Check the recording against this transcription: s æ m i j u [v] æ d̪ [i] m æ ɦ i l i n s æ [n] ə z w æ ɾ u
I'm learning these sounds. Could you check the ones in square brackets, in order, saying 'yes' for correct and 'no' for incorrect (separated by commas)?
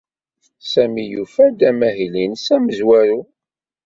no, no, no